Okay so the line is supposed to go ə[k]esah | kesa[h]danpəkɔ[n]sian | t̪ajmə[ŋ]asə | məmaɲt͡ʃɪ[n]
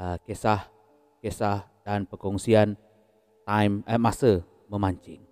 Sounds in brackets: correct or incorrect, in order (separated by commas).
correct, correct, incorrect, incorrect, incorrect